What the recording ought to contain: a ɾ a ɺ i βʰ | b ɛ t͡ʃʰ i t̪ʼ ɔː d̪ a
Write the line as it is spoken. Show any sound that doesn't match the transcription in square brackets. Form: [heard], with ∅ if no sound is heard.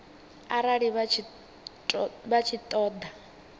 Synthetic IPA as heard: a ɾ a ɺ i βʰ | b [a] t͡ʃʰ i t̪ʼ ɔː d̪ a